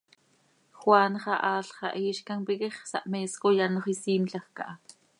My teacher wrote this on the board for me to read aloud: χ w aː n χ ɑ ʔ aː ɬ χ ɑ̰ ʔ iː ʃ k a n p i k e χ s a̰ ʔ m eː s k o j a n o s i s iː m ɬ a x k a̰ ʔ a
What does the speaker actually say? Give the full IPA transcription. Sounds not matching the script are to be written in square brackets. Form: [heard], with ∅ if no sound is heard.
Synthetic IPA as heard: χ w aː n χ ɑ ʔ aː ɬ χ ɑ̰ ʔ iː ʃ k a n p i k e χ s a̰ ʔ m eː s k o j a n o [χ] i s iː m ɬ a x k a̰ ʔ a